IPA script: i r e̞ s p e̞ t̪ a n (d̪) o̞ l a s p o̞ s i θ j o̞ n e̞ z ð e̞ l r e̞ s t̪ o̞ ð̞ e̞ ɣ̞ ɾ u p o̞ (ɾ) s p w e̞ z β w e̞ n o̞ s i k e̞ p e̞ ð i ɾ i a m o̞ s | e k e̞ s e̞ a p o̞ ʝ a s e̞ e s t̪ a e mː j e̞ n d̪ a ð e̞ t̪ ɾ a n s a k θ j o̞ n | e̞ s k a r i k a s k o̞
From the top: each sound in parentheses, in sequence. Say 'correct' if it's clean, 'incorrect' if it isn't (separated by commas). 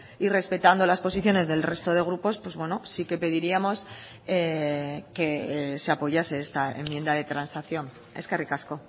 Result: correct, incorrect